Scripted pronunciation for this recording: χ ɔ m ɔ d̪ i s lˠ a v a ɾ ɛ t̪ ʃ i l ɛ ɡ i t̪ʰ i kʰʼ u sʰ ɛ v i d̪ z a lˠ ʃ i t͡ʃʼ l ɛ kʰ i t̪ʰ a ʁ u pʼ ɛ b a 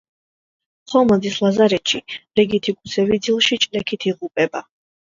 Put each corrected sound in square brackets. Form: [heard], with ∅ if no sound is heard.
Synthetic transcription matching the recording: χ ɔ m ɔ d̪ i s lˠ a [z] a ɾ ɛ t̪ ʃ i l ɛ ɡ i t̪ʰ i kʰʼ u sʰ ɛ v i d̪ z [i] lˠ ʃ i t͡ʃʼ l ɛ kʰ i t̪ʰ [i] ʁ u pʼ ɛ b a